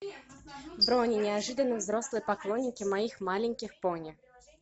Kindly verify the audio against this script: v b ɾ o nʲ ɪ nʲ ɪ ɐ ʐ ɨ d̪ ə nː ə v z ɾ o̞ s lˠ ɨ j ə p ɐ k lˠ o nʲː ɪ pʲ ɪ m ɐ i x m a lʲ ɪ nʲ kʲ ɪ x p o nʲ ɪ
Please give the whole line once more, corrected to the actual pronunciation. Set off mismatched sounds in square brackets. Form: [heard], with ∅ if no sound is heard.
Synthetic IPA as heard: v b ɾ o nʲ ɪ nʲ ɪ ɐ ʐ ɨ d̪ ə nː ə v z ɾ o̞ s lˠ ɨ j ə p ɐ k lˠ o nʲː ɪ [kʲ] ɪ m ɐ i x m a lʲ ɪ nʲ kʲ ɪ x p o nʲ ɪ